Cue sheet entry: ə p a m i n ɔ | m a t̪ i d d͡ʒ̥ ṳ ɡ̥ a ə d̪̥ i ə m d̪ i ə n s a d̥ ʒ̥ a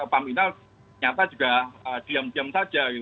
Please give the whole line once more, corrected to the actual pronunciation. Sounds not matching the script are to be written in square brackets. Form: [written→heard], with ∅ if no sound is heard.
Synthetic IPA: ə p a m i n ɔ | [m→ɲ] a t̪ [i→a] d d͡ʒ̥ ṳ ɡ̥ a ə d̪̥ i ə m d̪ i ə [n→m] s a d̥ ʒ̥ a